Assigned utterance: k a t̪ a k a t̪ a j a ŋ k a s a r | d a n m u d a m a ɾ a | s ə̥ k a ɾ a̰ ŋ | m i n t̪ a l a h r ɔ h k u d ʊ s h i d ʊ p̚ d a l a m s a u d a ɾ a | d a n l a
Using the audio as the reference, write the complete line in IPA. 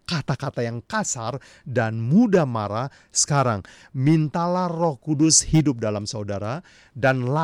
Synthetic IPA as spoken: k a t̪ a k a t̪ a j a ŋ k a s a r | d a n m u d a m a ɾ a | s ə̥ k a ɾ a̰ ŋ | m i n t̪ a l a h r ɔ h k u d ʊ s h i d ʊ p̚ d a l a m s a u d a ɾ a | d a n l a